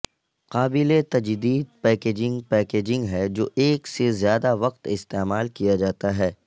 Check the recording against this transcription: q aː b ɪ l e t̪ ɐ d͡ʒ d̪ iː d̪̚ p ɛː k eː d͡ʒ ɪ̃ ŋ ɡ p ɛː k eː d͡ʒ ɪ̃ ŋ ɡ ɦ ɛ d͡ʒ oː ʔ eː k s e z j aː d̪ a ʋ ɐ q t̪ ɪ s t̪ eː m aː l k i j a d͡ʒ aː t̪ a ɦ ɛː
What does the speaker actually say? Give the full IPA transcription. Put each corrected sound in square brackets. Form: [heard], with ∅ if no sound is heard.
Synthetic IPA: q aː b ɪ l e t̪ ɐ d͡ʒ d̪ iː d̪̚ p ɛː k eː d͡ʒ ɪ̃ ŋ ɡ p ɛː k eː d͡ʒ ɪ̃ ŋ ɡ ɦ ɛ d͡ʒ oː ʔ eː k s e z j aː d̪ a ʋ ɐ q t̪ ɪ s t̪ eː m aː l k i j a d͡ʒ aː t̪ a ɦ ɛː